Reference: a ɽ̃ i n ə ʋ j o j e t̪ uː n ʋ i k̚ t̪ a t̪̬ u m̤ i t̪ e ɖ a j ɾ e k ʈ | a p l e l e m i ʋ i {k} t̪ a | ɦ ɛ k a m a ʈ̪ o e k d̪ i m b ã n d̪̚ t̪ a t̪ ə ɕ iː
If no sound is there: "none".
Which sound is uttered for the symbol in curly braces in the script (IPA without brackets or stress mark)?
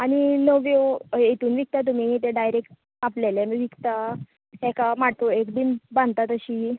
k